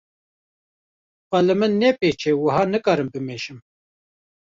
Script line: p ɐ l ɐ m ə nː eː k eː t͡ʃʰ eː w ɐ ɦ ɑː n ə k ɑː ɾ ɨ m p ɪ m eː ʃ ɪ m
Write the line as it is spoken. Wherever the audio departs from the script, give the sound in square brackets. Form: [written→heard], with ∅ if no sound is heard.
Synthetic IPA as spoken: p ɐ l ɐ m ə nː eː [k→p] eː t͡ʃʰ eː w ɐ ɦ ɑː n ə k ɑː ɾ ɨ m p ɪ m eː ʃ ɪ m